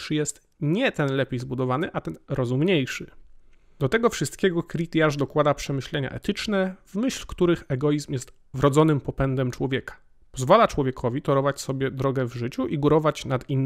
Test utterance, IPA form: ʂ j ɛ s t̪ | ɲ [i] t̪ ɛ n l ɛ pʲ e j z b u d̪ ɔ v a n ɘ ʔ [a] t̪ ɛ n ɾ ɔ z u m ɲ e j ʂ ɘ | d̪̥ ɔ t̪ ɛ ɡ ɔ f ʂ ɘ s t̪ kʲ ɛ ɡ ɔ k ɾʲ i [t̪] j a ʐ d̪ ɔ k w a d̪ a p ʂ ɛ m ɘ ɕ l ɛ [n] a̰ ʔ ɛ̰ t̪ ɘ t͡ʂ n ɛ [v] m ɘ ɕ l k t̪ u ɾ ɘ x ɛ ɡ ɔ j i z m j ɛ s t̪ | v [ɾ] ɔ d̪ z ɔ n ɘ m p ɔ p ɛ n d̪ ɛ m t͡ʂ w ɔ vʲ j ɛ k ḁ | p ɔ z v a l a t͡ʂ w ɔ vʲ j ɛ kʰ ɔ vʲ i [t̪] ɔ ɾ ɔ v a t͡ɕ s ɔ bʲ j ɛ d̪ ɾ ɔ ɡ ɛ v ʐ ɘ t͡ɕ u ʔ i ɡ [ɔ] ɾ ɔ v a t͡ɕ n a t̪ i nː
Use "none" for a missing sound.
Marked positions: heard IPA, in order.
ɛ, a, t̪, ɲ, v, ɾ, t̪, u

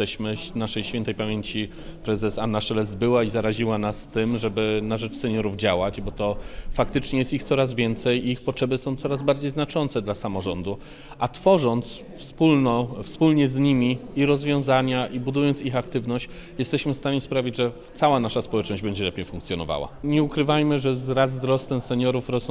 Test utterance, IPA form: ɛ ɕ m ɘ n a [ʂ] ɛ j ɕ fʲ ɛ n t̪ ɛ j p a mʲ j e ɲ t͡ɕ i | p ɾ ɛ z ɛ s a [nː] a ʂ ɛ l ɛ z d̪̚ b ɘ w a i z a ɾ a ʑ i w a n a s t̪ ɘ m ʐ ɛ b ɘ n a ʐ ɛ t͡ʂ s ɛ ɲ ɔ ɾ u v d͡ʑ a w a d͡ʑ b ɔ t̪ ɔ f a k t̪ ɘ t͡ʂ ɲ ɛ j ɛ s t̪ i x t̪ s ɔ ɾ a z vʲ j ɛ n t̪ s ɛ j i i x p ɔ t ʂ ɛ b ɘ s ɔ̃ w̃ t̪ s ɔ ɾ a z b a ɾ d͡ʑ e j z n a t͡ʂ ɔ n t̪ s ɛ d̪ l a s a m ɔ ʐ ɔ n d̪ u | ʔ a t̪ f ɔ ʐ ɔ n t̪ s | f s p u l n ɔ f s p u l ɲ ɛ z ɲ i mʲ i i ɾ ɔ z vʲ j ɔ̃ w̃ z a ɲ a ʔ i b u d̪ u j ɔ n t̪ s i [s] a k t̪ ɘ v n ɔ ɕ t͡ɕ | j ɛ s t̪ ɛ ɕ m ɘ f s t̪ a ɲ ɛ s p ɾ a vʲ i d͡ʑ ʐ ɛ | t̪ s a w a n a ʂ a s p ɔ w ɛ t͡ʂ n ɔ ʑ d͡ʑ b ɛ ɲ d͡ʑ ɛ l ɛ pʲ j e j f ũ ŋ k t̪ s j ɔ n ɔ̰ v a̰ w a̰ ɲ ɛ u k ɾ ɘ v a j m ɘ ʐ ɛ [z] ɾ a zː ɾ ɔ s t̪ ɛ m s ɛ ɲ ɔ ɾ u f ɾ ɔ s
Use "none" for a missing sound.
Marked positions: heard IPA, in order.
ʂ, nː, x, z

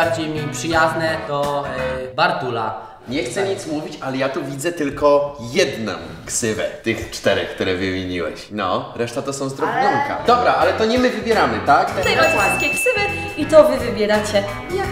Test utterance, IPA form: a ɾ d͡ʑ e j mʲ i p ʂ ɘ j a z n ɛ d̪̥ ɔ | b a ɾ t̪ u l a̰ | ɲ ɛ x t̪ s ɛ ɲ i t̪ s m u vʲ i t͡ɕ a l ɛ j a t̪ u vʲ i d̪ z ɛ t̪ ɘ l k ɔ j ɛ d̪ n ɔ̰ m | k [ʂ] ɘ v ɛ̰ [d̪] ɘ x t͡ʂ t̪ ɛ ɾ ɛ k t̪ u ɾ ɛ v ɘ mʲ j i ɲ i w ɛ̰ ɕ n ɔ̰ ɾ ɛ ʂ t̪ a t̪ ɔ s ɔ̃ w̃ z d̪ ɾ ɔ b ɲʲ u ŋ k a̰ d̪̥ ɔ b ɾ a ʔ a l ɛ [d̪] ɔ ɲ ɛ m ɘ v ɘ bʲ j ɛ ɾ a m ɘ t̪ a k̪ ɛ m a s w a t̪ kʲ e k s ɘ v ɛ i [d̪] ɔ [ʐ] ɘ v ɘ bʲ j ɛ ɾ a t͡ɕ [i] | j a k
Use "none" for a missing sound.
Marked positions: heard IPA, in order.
s, t̪, t̪, t̪, v, ɛ

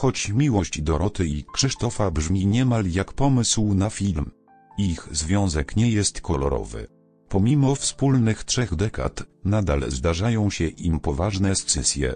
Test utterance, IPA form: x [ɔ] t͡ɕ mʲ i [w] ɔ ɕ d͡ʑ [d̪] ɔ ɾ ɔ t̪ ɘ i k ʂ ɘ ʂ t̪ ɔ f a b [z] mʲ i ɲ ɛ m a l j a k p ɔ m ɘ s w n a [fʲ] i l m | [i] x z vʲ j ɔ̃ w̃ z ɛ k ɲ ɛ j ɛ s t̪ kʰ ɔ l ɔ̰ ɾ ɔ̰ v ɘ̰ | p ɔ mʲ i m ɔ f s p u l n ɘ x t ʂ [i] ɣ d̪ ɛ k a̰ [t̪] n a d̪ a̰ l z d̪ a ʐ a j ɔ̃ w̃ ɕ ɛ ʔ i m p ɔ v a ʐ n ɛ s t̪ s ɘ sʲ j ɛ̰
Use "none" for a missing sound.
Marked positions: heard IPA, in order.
ɔ, w, d̪, ʐ, fʲ, i, ɛ, t̪

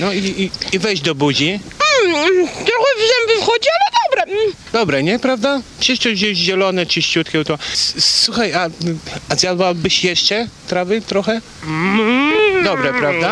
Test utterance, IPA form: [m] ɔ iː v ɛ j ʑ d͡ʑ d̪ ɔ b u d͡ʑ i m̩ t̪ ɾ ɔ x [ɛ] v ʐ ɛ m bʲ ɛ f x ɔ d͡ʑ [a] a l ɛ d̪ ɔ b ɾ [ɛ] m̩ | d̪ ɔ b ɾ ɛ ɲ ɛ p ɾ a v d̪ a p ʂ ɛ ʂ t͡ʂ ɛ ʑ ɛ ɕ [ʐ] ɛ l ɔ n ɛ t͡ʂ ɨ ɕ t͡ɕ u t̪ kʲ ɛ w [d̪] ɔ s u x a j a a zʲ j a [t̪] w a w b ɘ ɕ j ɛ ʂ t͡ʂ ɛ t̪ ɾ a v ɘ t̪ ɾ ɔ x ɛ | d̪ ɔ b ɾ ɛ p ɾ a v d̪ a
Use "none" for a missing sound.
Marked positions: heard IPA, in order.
n, ɛ, i, ɛ, ʑ, t̪, d̪

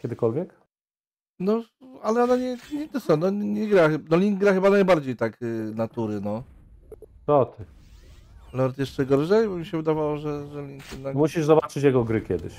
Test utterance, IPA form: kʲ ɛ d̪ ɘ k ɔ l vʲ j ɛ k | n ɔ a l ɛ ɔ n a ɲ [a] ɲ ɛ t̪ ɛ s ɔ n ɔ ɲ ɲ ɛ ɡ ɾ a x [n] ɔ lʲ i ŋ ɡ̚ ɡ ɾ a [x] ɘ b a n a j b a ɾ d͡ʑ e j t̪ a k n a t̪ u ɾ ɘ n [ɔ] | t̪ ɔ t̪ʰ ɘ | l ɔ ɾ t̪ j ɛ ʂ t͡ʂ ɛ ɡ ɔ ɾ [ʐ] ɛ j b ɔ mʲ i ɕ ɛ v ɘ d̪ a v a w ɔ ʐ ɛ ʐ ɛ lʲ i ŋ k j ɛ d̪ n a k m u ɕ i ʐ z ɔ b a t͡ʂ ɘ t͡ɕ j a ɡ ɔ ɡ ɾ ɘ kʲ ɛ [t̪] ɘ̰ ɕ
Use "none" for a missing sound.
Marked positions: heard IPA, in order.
ɛ, n, x, ɔ, ʐ, d̪

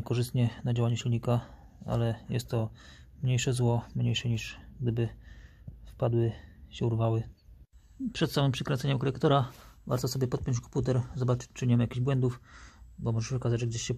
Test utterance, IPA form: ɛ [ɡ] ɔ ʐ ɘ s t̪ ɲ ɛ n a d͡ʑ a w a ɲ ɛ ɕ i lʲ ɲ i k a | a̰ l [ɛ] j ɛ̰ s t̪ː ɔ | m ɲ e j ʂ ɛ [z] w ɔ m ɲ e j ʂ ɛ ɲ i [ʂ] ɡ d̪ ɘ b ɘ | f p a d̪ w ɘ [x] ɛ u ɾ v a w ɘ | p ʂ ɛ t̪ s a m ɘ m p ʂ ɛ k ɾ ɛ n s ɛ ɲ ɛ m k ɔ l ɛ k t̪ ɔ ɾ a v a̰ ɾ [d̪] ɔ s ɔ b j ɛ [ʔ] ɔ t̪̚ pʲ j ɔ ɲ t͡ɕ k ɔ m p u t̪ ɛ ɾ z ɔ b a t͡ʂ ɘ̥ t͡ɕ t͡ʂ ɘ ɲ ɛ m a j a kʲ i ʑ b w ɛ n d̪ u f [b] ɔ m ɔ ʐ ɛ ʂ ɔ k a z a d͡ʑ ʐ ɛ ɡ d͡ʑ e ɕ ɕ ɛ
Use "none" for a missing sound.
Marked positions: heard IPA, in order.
k, ɛ, z, ʂ, ɕ, t̪, p, b

